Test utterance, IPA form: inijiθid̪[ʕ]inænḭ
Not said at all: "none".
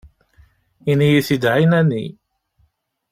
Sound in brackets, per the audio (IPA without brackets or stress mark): ʕ